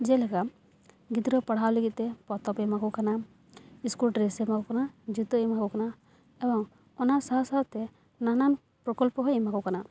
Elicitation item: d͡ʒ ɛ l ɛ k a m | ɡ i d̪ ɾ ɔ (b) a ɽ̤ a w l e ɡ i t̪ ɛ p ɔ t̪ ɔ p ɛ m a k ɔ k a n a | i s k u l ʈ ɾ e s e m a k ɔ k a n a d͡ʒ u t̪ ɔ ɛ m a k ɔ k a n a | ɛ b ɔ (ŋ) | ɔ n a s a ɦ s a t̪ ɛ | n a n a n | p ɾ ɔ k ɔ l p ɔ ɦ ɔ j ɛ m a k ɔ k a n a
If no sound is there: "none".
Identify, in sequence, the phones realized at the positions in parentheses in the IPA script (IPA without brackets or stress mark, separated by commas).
p, ŋ